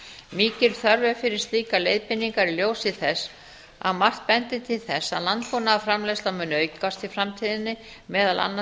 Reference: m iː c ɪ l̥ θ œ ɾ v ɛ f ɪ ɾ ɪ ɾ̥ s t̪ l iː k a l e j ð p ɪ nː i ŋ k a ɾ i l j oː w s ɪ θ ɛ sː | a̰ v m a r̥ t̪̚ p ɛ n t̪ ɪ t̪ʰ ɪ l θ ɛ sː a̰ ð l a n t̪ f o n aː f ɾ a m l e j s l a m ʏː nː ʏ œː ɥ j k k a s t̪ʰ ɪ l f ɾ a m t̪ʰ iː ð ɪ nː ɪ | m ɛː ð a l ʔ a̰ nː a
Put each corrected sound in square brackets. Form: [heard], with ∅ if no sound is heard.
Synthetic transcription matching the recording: m iː c ɪ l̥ θ œ ɾ v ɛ f ɪ ɾ ɪ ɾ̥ s t̪ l iː k a l e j ð p ɪ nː i ŋ k a ɾ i l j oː w s ɪ θ ɛ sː | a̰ [ð] m a r̥ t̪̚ p ɛ n t̪ ɪ t̪ʰ ɪ l θ ɛ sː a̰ ð l a n t̪ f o n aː f ɾ a m l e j s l a m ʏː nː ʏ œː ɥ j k k a s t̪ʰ ɪ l f ɾ a m t̪ʰ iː ð ɪ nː ɪ | m ɛː ð a l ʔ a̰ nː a

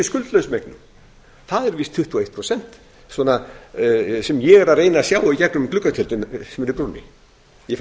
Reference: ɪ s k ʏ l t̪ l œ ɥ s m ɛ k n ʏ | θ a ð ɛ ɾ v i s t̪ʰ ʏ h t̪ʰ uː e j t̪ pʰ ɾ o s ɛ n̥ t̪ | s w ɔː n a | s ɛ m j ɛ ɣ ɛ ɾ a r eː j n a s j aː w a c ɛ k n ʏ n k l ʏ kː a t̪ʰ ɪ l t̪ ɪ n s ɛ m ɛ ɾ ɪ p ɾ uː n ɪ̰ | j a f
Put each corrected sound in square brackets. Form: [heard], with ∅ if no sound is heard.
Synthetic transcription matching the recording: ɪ s k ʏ l t̪ l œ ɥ s m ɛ k n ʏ | θ a ð ɛ ɾ v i s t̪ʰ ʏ h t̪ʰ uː e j t̪ pʰ ɾ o s ɛ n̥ t̪ | s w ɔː n a | s ɛ m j ɛ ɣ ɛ ɾ a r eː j n a s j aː w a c ɛ k n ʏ [m] k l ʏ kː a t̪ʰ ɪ l t̪ ɪ n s ɛ m ɛ ɾ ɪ p ɾ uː n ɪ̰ | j [ɛ] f

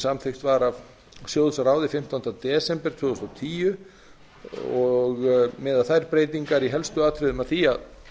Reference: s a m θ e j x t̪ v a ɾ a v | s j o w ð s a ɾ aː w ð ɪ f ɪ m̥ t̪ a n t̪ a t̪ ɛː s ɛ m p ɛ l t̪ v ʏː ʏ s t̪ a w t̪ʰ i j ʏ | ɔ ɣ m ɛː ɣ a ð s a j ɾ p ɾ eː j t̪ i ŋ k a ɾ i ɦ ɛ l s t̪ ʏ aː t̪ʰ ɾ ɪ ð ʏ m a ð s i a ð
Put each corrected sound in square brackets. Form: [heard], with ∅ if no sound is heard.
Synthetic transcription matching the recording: s a m θ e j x t̪ v a ɾ a v | s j o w ð s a ɾ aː w ð ɪ f ɪ m̥ t̪ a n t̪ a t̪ ɛː s ɛ m p ɛ [ɾ] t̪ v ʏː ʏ s t̪ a w t̪ʰ [iː] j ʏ | ɔ ɣ m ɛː [ð] a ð [θ] a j ɾ p ɾ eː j t̪ i ŋ k a ɾ i ɦ ɛ l s t̪ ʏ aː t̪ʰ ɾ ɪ ð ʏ m a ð [θ] i a ð

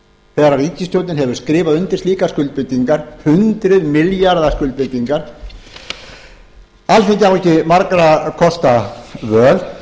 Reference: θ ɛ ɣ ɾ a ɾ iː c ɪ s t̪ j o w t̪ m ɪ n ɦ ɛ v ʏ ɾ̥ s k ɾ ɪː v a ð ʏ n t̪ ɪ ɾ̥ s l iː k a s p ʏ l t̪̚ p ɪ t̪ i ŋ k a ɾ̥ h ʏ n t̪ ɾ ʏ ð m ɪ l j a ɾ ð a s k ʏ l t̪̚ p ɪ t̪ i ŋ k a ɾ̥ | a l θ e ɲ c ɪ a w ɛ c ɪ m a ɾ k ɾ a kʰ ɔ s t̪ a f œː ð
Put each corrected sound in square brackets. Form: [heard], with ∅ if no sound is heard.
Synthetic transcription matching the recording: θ ɛ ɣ ɾ a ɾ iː c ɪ s t̪ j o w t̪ [n] ɪ n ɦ ɛ v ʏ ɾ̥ s k ɾ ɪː v a ð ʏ n t̪ ɪ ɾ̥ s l iː k a s [k] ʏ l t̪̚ p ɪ t̪ i ŋ k a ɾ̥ h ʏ n t̪ ɾ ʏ ð m ɪ l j a ɾ ð a s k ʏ l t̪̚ p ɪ t̪ i ŋ k a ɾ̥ | a l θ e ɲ c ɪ a w ɛ c ɪ m a ɾ k ɾ a kʰ ɔ s t̪ a [v] œː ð

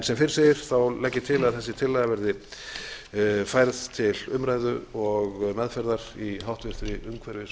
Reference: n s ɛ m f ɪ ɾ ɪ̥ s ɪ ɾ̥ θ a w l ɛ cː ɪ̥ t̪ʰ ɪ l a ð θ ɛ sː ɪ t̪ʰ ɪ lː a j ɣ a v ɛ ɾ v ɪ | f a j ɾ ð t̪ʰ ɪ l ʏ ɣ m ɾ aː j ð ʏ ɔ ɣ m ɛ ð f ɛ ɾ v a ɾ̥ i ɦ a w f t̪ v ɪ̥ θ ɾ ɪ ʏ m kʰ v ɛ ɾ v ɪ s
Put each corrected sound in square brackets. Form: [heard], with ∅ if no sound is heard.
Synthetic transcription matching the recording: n s ɛ m f ɪ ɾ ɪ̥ s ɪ ɾ̥ θ a w l ɛ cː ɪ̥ t̪ʰ ɪ l a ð θ ɛ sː ɪ t̪ʰ ɪ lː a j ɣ a v ɛ ɾ [ð] ɪ | f a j ɾ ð t̪ʰ ɪ l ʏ [∅] m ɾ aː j ð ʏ ɔ ɣ m ɛ ð f ɛ ɾ [ð] a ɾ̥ i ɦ a w [h] t̪ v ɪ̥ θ ɾ ɪ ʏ m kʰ v ɛ ɾ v ɪ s

